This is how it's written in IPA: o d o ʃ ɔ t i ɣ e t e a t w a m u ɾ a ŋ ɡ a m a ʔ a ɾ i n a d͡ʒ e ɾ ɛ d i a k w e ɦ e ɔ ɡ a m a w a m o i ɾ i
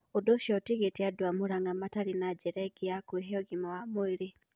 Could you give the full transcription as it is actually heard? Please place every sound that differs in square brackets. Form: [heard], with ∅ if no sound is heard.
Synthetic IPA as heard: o d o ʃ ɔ t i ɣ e t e a [d] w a m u ɾ a ŋ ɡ a m a [t] a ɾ i n a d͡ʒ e ɾ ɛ [ɡ] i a k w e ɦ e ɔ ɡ [i] m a w a m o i ɾ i